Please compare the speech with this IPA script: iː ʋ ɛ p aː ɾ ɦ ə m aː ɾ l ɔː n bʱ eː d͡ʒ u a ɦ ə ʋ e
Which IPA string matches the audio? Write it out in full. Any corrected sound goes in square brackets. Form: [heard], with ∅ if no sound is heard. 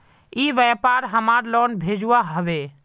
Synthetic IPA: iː ʋ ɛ p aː ɾ ɦ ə m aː ɾ l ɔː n bʱ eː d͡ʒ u a ɦ ə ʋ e